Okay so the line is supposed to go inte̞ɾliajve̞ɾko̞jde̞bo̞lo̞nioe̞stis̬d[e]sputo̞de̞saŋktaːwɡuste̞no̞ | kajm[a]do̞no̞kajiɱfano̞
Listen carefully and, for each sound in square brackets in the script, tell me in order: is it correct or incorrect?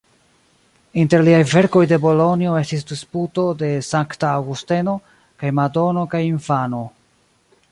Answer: incorrect: i, correct

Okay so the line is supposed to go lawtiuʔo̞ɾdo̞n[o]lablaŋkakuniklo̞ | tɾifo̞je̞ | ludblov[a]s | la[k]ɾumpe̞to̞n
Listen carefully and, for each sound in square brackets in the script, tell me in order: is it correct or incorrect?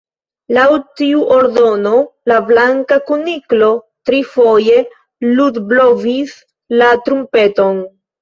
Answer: correct, incorrect: i, incorrect: t

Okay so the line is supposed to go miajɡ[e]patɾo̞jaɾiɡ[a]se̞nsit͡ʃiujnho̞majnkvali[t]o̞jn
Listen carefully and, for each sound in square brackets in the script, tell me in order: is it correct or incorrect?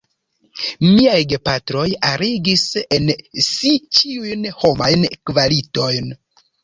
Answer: correct, incorrect: i, correct

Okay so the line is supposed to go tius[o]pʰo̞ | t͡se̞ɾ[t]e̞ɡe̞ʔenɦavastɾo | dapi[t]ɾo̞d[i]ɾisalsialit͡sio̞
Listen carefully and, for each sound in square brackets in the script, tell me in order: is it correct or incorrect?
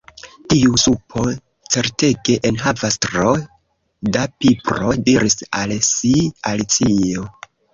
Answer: incorrect: u, correct, incorrect: p, correct

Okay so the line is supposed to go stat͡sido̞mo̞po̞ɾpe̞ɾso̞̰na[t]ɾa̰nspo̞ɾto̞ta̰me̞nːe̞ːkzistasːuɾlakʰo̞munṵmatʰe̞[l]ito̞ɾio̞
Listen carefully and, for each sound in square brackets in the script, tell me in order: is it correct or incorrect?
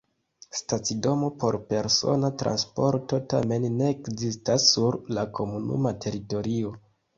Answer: correct, incorrect: ɾ

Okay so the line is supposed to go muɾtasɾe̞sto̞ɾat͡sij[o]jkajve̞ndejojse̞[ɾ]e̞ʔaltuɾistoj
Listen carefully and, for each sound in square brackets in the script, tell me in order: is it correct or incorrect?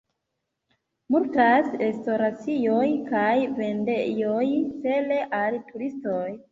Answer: correct, incorrect: l

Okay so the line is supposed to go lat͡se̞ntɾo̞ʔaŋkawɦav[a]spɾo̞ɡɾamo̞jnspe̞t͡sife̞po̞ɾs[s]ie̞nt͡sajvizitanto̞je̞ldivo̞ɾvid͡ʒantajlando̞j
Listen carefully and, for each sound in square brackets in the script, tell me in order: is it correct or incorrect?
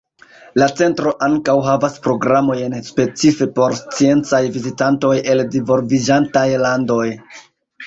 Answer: correct, incorrect: t͡s

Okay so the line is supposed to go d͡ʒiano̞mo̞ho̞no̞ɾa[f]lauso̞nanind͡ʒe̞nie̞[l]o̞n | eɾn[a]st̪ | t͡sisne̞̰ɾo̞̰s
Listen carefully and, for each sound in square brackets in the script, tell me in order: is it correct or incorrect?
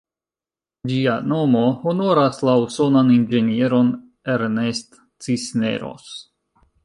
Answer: incorrect: s, incorrect: ɾ, incorrect: e

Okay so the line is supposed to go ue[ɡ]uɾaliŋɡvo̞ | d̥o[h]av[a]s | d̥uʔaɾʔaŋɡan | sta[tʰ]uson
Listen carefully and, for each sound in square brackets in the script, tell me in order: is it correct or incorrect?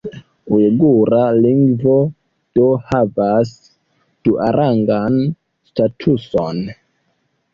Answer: correct, correct, correct, correct

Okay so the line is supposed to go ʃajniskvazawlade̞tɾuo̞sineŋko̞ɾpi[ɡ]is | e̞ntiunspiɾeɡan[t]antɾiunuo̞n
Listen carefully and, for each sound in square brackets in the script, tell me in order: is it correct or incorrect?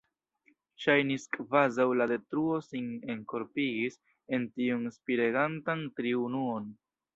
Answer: correct, correct

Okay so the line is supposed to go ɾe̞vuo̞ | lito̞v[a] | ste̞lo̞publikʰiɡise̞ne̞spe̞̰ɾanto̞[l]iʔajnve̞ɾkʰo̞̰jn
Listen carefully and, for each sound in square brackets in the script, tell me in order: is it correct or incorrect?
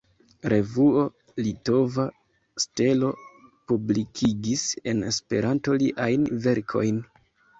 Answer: correct, correct

